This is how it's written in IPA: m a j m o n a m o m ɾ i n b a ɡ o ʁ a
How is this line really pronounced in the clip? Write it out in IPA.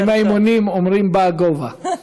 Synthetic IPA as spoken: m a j m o n i m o m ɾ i m b a ɡ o v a